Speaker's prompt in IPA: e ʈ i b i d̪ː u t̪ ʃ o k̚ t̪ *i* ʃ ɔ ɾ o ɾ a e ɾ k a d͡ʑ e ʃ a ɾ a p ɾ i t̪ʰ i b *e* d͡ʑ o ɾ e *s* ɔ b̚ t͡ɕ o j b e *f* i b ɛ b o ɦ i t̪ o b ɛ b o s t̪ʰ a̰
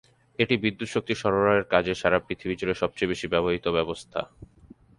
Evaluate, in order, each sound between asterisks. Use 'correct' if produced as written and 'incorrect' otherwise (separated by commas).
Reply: correct, incorrect, incorrect, incorrect